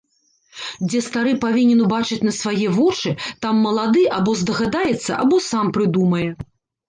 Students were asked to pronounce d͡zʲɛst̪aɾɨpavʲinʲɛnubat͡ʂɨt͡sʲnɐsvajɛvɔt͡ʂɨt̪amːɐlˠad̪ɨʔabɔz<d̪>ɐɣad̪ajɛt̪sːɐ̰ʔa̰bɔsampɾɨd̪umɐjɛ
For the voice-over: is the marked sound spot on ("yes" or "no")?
yes